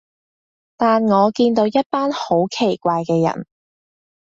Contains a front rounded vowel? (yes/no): no